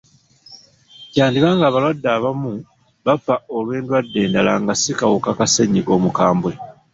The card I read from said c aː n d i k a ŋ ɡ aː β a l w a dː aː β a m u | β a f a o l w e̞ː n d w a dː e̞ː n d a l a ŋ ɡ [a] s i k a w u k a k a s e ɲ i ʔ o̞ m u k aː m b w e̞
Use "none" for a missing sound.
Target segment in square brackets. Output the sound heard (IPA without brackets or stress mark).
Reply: a